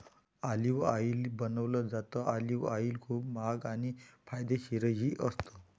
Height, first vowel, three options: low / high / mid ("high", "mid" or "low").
low